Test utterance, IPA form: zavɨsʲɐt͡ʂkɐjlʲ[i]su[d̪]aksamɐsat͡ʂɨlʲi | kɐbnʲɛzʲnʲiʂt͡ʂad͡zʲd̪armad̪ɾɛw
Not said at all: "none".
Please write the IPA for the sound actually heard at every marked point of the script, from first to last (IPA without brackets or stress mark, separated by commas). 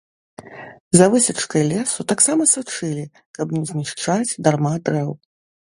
ɛ, t̪